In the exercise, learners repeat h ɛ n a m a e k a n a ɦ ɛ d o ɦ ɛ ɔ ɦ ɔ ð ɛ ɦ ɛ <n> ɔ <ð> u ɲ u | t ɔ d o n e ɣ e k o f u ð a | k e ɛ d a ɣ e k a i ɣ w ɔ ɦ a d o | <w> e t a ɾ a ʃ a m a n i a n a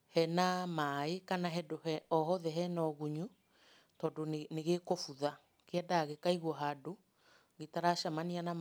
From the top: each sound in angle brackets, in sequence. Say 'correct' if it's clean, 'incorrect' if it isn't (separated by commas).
correct, incorrect, incorrect